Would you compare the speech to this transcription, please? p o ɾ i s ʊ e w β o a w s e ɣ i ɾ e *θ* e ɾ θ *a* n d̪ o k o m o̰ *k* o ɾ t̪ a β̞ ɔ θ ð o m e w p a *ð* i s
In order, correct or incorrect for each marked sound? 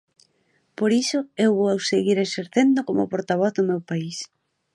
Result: incorrect: s, incorrect: e, incorrect: p, incorrect: none

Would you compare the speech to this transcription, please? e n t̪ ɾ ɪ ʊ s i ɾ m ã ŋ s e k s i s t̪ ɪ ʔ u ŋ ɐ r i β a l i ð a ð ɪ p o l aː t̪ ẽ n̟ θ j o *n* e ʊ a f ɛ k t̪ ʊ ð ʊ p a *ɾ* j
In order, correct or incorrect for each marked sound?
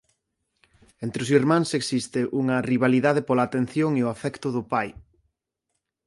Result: incorrect: ŋ, incorrect: none

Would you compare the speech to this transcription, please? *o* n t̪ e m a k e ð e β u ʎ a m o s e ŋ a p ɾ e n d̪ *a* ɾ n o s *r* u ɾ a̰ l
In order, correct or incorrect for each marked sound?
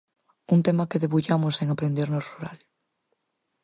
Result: incorrect: u, incorrect: e, correct

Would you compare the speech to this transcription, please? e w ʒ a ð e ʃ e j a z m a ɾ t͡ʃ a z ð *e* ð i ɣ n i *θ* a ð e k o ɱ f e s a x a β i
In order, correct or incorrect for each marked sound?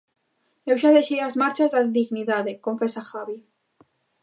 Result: incorrect: a, incorrect: ð

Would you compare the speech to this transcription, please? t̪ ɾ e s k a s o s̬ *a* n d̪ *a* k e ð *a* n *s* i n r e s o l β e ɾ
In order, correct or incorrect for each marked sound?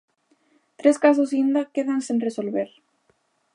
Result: incorrect: i, correct, correct, correct

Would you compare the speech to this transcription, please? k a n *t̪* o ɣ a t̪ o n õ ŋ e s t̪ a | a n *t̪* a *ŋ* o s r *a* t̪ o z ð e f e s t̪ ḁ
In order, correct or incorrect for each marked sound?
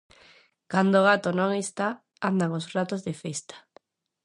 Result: incorrect: d̪, incorrect: d̪, correct, correct

